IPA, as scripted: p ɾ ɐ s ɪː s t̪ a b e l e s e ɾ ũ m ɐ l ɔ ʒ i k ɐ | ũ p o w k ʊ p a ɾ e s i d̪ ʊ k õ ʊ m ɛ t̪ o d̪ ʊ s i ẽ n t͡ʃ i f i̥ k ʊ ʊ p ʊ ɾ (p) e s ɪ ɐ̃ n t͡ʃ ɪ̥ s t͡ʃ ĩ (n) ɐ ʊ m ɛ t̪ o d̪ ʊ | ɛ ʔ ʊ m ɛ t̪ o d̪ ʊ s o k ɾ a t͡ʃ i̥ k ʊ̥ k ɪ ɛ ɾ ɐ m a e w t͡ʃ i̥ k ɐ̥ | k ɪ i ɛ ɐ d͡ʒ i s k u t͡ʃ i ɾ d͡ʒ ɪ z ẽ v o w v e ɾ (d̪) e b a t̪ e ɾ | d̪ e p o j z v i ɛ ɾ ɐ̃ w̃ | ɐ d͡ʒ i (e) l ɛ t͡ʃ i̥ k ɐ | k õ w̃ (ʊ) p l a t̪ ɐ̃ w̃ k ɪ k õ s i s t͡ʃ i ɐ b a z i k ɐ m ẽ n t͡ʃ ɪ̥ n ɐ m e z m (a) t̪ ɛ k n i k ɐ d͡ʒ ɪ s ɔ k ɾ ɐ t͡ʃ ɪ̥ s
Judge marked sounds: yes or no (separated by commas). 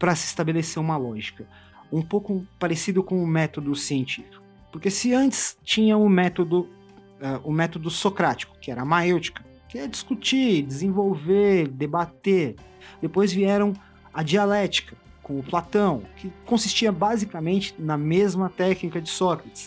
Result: no, no, yes, no, yes, no